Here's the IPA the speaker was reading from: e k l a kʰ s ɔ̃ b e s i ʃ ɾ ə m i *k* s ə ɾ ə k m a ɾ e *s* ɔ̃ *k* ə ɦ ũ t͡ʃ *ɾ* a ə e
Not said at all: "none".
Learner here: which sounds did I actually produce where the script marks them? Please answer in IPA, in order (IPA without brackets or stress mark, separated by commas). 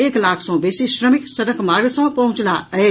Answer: k, s, p, l